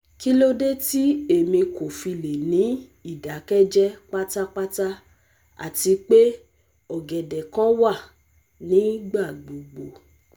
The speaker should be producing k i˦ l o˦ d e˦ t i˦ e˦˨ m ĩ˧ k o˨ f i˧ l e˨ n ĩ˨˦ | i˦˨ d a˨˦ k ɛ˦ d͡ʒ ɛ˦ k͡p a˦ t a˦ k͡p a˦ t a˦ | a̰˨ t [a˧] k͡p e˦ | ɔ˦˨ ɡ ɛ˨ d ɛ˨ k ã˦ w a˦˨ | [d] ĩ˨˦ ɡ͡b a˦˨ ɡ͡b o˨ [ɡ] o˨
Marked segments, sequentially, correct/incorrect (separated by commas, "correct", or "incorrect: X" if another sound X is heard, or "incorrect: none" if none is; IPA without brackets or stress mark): incorrect: i˧, incorrect: n, incorrect: ɡ͡b